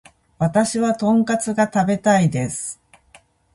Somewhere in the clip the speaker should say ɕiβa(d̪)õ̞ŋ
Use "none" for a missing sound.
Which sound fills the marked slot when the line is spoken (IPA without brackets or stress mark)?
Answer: t̪